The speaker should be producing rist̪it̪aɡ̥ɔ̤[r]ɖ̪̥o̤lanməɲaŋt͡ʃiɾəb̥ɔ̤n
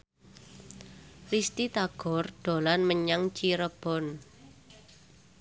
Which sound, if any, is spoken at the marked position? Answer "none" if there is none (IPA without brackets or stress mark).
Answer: r